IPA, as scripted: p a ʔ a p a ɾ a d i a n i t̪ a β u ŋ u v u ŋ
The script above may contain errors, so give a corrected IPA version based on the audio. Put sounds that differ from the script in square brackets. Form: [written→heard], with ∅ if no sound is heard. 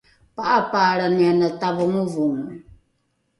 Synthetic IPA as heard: p a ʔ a p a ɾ a [d→n] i a n [i→a] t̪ a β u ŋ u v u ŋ